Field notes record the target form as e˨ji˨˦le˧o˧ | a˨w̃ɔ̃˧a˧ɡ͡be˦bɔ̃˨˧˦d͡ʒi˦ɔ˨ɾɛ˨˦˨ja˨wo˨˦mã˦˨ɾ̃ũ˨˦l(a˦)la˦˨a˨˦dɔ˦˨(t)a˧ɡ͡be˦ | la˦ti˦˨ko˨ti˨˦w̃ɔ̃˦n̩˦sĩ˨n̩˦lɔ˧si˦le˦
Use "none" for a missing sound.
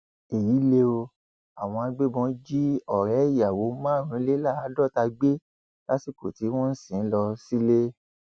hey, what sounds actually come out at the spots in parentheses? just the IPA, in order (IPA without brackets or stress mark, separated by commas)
e˦, t